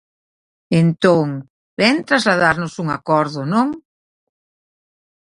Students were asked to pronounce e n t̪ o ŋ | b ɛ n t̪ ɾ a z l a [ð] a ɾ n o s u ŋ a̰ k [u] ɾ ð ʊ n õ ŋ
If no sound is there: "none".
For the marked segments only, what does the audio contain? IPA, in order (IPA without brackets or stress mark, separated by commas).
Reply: ð, ɔ